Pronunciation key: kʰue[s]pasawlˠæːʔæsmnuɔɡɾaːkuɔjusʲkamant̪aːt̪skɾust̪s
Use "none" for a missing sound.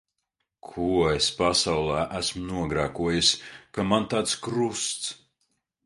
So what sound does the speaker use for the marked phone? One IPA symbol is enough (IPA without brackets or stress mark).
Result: s